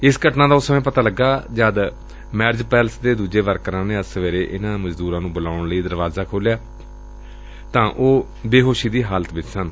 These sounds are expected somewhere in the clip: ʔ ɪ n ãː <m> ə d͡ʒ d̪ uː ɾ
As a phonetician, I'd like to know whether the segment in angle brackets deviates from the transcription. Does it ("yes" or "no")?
no